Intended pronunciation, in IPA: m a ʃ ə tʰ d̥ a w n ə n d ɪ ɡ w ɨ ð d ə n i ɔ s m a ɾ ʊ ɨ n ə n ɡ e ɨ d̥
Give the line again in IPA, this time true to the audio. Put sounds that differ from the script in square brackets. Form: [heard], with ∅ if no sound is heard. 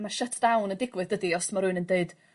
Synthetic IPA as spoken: m a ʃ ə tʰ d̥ a w n ə n d ɪ ɡ w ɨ ð d ə [d] i ɔ s m a ɾ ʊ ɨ n ə n [d] e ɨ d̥